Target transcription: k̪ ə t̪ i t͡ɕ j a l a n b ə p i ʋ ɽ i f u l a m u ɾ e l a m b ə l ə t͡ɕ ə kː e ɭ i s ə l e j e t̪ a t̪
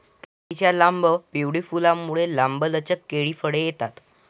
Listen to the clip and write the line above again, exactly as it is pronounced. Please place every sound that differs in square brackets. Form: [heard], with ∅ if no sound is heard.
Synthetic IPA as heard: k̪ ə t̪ i t͡ɕ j a l a [m] b ə p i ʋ ɽ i f u l a m u [ɭ] e l a m b ə l ə t͡ɕ ə kː e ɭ i [f] ə [ɽ] e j e t̪ a t̪